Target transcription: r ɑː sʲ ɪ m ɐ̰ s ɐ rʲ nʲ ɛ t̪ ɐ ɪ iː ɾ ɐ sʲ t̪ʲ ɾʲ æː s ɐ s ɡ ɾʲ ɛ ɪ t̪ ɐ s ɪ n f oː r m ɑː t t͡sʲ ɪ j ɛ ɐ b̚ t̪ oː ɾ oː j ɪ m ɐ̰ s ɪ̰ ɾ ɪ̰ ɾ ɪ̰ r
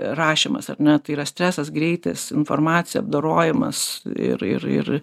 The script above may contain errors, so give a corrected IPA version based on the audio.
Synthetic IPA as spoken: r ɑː ʃʲ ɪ m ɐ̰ s ɐ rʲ nʲ ɛ t̪ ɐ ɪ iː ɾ ɐ sʲ t̪ʲ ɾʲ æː s ɐ s ɡ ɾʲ ɛ ɪ t̪ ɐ s ɪ n f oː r m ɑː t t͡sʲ ɪ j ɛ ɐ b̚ d̪ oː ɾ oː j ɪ m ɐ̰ s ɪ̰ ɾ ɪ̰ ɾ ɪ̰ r